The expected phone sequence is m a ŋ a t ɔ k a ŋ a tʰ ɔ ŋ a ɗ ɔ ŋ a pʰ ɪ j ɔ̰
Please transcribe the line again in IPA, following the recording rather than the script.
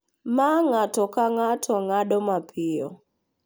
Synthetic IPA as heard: m a ŋ a t ɔ k a ŋ a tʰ ɔ ŋ a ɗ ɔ m a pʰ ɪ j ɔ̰

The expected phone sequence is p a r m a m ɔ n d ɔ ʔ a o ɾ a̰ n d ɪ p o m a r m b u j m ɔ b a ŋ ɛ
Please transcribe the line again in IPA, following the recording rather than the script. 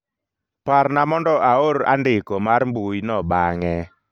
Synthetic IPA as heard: p a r n a m ɔ n d ɔ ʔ a o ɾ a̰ n d ɪ k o m a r m b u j n ɔ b a ŋ ɛ

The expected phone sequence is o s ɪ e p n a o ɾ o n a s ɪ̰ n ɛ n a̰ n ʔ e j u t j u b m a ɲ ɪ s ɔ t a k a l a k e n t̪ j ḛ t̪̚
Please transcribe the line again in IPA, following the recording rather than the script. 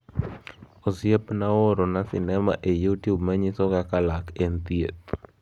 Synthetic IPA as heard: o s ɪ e p n a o ɾ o n a s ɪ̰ n ɛ m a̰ ʔ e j u t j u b m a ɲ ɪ s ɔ k a k a l a k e n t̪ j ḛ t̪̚

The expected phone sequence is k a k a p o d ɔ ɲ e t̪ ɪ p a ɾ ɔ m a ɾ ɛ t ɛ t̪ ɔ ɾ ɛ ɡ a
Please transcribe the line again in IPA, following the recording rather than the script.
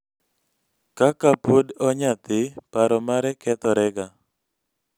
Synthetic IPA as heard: k a k a p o d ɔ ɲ a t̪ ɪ p a ɾ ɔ m a ɾ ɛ k ɛ t̪ ɔ ɾ ɛ ɡ a

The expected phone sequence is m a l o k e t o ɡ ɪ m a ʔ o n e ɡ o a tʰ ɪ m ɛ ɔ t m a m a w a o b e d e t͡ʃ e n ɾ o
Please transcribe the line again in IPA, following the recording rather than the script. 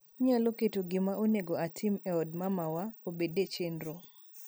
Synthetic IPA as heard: ɲ a l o k e t o ɡ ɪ m a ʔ o n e ɡ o a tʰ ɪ m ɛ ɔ d m a m a w a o b e d e t͡ʃ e n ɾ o

